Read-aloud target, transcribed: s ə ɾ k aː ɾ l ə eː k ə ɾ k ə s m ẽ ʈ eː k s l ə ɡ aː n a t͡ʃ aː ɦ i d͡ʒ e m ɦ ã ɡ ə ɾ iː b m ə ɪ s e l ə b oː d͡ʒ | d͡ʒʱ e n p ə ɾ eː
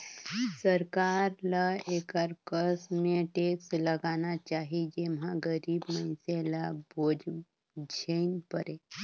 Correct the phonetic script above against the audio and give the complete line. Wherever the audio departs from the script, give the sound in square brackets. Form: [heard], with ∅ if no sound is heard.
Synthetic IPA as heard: s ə ɾ k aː ɾ l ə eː k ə ɾ k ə s m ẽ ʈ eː k s l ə ɡ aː n a t͡ʃ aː ɦ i d͡ʒ e m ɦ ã ɡ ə ɾ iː b m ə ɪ s e l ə b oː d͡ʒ | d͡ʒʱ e n p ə ɾ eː